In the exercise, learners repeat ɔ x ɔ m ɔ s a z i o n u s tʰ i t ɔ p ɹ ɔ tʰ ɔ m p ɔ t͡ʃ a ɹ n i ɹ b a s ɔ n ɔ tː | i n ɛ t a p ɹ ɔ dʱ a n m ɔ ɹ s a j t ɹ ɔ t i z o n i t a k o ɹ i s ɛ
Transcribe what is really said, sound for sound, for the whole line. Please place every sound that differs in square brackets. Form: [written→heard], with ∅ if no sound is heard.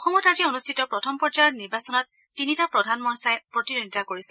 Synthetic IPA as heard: ɔ x ɔ m ɔ [s→t] a z i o n u s tʰ i t ɔ p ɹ ɔ tʰ ɔ m p ɔ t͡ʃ a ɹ n i ɹ b a s ɔ n ɔ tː | i n [ɛ→i] t a p ɹ ɔ dʱ a n m ɔ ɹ s a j [t→p] ɹ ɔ t i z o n i t a k o ɹ i s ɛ

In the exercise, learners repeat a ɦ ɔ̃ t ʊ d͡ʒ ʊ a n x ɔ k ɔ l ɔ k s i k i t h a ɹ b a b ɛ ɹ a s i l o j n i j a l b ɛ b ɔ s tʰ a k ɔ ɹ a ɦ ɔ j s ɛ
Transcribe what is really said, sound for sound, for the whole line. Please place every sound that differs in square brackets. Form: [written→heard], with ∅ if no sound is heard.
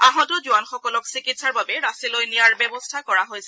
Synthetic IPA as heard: a ɦ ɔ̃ t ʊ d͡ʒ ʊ a n x ɔ k ɔ l ɔ k s i k i t [h→s] a ɹ b a b ɛ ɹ a s i l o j n i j a [l→ɹ] b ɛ b ɔ s tʰ a k ɔ ɹ a ɦ [ɔ→o] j s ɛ

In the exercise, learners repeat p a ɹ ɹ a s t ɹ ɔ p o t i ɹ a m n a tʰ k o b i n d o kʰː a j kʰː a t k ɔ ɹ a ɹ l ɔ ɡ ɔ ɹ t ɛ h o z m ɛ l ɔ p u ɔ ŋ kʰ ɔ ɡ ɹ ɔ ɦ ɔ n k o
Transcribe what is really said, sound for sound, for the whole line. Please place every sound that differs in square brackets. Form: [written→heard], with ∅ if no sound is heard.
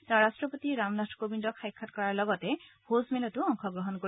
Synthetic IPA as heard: [p→t] a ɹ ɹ a s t ɹ ɔ p o t i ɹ a m n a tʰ k o b i n d [o→ɔ] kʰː a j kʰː a t k ɔ ɹ a ɹ l ɔ ɡ ɔ [ɹ→∅] t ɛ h o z m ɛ l ɔ [p→t] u ɔ ŋ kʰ ɔ ɡ ɹ ɔ ɦ ɔ n k o

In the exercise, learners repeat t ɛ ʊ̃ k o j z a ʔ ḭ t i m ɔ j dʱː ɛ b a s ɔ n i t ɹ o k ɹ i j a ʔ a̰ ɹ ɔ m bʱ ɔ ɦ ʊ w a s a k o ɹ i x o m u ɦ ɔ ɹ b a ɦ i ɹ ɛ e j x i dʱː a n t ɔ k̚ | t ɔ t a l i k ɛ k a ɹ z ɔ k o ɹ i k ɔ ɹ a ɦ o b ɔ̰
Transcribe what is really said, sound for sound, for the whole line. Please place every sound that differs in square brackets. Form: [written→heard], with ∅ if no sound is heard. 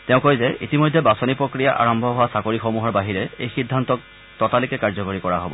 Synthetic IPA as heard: t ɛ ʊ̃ k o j z [a→ɛ] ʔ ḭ t i m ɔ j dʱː ɛ b a s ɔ n i [t→p] ɹ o k ɹ i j a ʔ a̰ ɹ ɔ m bʱ ɔ ɦ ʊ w a s a k o ɹ i x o m u ɦ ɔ ɹ b a ɦ i ɹ ɛ e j x i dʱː a n t ɔ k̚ | t ɔ t a l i k ɛ k a ɹ z ɔ k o ɹ i k ɔ ɹ a ɦ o b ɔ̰

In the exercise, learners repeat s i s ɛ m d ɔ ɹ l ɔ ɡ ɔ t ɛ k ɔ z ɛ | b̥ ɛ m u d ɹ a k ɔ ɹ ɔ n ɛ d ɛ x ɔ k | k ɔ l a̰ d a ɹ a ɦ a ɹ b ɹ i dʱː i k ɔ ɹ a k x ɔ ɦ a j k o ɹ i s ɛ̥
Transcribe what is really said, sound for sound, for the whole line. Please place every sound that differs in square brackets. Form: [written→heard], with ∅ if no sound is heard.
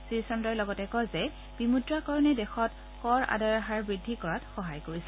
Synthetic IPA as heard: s i s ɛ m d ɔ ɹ l ɔ ɡ ɔ t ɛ k ɔ z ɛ | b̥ [ɛ→i] m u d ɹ a k ɔ ɹ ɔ n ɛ d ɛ x ɔ [k→t] | k ɔ [l→ɹ] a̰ d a ɹ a ɦ a ɹ b ɹ i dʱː i k ɔ ɹ a [k→t] x ɔ ɦ a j k o ɹ i s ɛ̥

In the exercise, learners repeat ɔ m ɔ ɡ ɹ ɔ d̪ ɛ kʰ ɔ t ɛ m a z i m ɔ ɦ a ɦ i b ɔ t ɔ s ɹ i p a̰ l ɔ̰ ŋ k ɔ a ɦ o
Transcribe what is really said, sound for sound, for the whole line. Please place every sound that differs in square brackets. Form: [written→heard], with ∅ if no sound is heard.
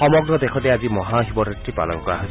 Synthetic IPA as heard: ɔ m ɔ ɡ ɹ ɔ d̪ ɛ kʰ ɔ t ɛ [m→∅] a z i m ɔ ɦ a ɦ i b ɔ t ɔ [s→t] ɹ i p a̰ l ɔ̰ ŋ k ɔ a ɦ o

